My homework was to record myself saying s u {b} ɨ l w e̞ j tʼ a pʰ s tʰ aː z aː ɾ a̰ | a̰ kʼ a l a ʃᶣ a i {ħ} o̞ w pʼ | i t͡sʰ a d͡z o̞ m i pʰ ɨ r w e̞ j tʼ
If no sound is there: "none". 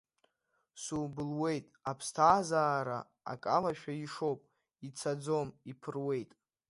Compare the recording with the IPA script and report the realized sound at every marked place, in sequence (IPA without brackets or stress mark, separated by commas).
b, ʂ